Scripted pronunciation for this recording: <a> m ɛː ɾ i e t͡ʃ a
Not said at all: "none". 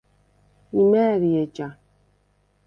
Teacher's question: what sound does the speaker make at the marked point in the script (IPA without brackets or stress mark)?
i